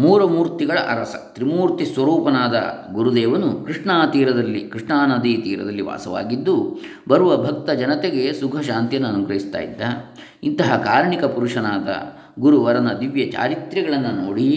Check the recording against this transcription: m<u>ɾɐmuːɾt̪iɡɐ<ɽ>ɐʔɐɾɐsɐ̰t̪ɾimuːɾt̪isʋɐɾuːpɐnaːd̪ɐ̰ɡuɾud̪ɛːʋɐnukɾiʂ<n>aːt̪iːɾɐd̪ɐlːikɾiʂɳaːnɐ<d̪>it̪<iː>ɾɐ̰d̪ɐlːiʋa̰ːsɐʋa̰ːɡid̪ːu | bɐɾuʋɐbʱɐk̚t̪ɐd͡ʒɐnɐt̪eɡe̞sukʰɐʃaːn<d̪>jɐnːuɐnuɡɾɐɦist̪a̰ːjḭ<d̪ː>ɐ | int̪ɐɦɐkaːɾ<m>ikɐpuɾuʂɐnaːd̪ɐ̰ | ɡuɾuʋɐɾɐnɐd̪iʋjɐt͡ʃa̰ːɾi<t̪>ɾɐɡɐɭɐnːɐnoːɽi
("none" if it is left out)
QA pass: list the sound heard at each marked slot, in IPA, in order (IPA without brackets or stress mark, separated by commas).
uː, ɭ, ɳ, d̪, iː, t̪, d̪ː, ɳ, t̪